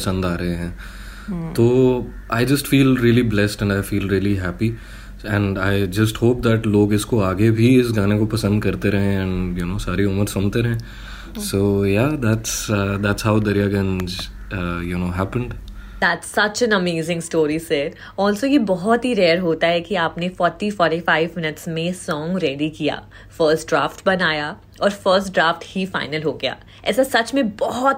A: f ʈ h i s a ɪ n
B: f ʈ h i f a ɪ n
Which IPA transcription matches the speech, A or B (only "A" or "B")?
B